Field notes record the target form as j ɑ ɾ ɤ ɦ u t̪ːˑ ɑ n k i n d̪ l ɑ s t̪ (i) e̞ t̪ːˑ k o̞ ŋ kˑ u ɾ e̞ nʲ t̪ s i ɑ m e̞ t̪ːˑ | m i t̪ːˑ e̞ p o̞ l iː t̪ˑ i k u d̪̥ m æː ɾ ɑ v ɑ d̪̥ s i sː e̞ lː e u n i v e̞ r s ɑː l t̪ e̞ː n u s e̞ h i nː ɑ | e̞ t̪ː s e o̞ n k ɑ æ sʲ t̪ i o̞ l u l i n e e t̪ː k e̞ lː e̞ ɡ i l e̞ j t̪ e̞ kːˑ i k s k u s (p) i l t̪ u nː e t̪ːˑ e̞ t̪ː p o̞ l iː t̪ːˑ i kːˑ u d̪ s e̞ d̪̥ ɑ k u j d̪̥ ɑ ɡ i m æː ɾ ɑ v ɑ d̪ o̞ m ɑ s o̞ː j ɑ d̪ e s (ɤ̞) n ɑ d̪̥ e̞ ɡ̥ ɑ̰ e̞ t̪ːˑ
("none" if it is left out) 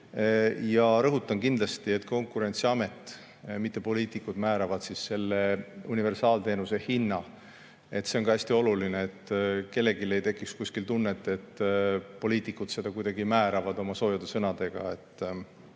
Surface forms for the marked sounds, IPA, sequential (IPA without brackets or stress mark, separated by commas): i, k, ɤ̞